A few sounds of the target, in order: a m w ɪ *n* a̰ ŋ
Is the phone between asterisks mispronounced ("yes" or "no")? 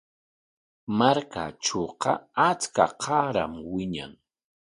yes